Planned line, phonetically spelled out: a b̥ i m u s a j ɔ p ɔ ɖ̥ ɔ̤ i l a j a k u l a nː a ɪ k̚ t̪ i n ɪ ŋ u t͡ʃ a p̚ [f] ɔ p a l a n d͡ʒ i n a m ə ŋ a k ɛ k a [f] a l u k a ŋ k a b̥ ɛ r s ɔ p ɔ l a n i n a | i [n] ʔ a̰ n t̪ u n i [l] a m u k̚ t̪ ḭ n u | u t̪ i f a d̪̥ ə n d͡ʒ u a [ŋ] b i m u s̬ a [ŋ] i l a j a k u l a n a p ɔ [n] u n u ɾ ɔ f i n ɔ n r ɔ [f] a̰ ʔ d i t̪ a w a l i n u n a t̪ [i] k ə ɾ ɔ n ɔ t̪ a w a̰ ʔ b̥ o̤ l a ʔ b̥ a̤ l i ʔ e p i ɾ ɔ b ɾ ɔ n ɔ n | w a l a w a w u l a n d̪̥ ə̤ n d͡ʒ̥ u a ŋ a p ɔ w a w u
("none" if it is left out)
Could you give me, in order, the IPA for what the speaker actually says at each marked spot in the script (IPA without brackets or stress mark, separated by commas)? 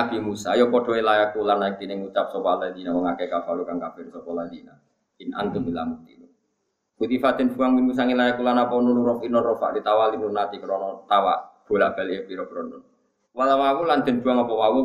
s, f, n, l, ŋ, ŋ, n, f, i